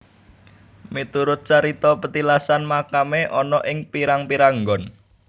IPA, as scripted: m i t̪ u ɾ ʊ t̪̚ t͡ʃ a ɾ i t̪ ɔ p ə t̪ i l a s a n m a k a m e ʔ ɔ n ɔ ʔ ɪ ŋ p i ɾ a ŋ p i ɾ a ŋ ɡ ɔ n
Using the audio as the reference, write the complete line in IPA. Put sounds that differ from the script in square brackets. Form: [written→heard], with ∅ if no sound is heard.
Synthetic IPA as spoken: m i t̪ u ɾ ʊ t̪̚ t͡ʃ a ɾ i t̪ ɔ p ə t̪ i l a s a n m a k a m e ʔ ɔ n ɔ ʔ ɪ ŋ p i ɾ a ŋ p i ɾ a ŋ ɡ ɔ n

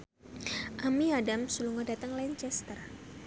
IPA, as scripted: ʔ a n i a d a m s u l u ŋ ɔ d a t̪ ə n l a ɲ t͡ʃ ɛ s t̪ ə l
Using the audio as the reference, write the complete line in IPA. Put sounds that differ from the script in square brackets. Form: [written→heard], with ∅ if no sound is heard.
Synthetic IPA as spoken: ʔ a [n→m] i a d a m s u l u ŋ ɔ d a t̪ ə [n→ŋ] l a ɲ t͡ʃ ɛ s t̪ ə [l→r]

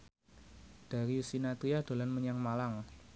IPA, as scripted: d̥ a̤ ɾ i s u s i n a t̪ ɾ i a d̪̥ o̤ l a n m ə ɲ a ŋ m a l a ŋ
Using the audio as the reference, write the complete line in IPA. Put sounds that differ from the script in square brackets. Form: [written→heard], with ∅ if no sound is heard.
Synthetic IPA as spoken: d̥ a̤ ɾ i [s→∅] u s i n a t̪ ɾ i a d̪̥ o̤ l a n m ə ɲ a ŋ m a l a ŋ

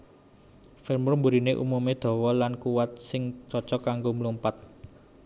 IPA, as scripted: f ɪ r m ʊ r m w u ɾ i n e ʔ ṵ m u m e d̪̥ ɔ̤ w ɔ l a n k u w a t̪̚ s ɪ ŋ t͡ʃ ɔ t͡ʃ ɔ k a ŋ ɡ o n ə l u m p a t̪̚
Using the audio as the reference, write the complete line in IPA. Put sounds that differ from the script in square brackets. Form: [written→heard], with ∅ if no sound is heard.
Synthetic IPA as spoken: f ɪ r m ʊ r m [w→b] u ɾ i n e ʔ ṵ m u m e d̪̥ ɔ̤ w ɔ l a n k u w a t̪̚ s ɪ ŋ t͡ʃ ɔ t͡ʃ ɔ k a ŋ ɡ o [n→m] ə l u m p a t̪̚

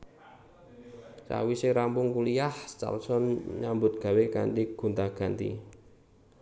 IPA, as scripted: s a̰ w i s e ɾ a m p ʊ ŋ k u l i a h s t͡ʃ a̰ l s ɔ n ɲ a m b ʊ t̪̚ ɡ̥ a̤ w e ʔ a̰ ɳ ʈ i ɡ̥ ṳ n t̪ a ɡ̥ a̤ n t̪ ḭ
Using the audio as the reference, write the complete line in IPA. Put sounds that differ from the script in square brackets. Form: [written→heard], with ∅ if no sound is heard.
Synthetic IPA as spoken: s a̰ w i s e ɾ a m p ʊ ŋ k u l i a h s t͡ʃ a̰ l s ɔ n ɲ a m b ʊ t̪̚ ɡ̥ a̤ w e [ʔ→k] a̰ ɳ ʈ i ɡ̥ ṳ n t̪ a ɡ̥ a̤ n t̪ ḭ

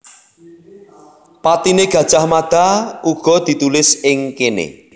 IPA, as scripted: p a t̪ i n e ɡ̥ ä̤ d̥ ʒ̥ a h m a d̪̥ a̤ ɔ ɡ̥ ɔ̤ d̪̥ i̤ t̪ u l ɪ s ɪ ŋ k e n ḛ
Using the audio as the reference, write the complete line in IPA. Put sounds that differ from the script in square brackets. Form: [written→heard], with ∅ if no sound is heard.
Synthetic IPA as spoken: p a t̪ i n e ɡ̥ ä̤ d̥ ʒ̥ a h m a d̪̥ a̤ [ɔ→u] ɡ̥ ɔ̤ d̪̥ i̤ t̪ u l ɪ s ɪ ŋ k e n ḛ

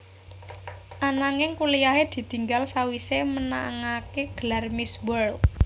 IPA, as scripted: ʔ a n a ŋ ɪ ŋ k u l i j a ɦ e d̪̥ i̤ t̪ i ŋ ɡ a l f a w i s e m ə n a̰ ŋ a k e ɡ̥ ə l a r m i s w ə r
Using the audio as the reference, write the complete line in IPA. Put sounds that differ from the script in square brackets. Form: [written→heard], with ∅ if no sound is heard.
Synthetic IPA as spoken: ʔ a n a ŋ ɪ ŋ k u l i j a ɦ e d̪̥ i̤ t̪ i ŋ ɡ a l [f→s] a w i s e m ə n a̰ ŋ a k e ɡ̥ ə l a r m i s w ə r

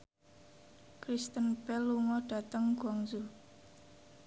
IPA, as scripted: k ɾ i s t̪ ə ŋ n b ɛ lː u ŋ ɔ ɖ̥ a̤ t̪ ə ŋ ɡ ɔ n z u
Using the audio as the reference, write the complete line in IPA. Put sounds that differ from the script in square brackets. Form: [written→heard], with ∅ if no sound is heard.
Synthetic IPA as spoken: k ɾ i s t̪ ə [ŋ→∅] n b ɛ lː u ŋ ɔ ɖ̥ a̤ t̪ ə ŋ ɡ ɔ [n→ŋ] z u

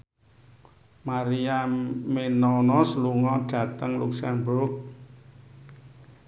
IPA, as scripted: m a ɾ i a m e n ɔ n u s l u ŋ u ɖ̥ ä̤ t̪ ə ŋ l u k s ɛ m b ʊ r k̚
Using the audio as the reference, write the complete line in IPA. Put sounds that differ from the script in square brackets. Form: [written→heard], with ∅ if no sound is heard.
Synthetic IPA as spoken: m a ɾ i a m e n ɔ n [u→ɔ] s l u ŋ [u→ɔ] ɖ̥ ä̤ t̪ ə ŋ l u k s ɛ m b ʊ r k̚

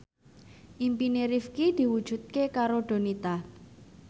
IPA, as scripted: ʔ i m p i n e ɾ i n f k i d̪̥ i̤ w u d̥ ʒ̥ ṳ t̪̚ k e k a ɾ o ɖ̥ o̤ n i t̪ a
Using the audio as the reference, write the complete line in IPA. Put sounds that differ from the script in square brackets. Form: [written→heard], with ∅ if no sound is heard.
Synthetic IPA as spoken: ʔ i m p i n e ɾ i [n→∅] f k i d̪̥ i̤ w u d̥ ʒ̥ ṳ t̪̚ k e k a ɾ o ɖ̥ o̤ n i t̪ a

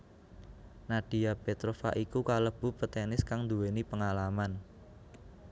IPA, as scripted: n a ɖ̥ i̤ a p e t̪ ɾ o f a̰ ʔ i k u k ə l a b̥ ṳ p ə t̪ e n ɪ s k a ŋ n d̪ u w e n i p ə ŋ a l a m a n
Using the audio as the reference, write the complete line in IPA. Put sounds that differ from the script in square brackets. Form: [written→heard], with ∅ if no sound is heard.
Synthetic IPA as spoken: n a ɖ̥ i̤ a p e t̪ ɾ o f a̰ ʔ i k u k [ə→a] l [a→ə] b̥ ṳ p ə t̪ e n ɪ s k a ŋ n d̪ u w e n i p ə ŋ a l a m a n

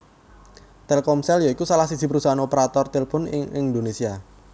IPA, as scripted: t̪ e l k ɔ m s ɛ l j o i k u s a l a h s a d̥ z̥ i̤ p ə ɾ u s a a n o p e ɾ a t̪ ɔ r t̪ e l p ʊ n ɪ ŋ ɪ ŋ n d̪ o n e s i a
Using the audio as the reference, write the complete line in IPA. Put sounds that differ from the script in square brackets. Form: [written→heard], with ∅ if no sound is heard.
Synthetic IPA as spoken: t̪ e l k ɔ m s ɛ l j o i k u s a l a h s [a→i] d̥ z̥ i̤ p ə ɾ u s a a n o p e ɾ a t̪ ɔ r t̪ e l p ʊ n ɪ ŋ ɪ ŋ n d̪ o n e s i a

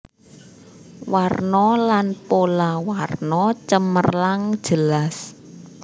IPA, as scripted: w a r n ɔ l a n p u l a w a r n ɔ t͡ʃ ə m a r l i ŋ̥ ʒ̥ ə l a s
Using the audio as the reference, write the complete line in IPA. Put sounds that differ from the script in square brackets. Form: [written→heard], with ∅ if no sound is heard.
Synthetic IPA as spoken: w a r n ɔ l a n p [u→o] l a w a r n ɔ t͡ʃ ə m [a→ə] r l [i→a] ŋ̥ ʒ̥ ə l a s

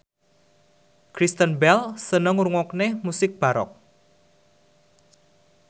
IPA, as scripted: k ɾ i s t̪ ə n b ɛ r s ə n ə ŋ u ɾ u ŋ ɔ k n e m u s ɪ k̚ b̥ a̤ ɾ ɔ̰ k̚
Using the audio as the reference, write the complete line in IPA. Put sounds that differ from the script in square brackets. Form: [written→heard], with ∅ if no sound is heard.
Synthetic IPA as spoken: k ɾ i s t̪ ə n b ɛ [r→l] s ə n ə ŋ u ɾ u ŋ ɔ k n e m u s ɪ k̚ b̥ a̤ ɾ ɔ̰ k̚

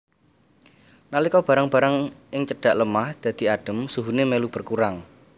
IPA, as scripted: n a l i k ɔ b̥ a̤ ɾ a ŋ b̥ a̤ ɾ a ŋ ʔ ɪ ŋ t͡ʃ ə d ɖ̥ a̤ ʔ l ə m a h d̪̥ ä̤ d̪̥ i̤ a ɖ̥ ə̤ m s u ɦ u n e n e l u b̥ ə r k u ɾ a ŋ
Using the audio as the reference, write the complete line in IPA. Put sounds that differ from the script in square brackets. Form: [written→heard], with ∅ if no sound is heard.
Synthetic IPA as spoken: n a l i k ɔ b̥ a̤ ɾ a ŋ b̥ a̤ ɾ a ŋ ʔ ɪ ŋ t͡ʃ ə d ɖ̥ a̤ ʔ l ə m a h d̪̥ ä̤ d̪̥ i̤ a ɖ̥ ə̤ m s u ɦ u n e [n→m] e l u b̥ ə r k u ɾ a ŋ

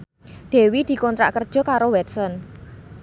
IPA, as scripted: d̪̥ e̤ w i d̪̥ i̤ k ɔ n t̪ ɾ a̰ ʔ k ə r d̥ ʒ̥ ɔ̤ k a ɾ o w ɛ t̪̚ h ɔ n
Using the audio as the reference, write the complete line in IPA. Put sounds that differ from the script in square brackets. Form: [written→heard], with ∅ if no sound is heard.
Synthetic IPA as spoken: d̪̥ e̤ w i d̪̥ i̤ k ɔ n t̪ ɾ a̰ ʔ k ə r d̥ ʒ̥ ɔ̤ k a ɾ o w ɛ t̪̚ [h→s] ɔ n

